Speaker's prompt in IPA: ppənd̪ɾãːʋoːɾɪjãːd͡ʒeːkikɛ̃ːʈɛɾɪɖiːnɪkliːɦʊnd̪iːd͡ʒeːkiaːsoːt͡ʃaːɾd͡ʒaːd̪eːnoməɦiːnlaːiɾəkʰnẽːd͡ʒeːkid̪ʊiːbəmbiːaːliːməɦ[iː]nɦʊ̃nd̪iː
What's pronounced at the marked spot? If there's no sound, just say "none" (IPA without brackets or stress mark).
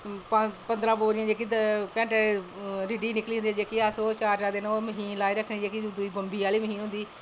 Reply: iː